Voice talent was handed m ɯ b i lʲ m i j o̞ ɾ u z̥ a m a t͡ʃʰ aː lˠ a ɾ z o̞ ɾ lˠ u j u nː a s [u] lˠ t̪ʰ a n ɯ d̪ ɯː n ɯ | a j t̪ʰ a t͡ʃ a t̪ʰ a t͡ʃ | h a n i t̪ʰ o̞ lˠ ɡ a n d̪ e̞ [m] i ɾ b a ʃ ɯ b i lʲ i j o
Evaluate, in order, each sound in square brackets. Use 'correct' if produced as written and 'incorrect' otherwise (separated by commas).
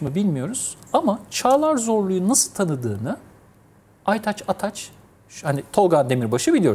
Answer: incorrect, correct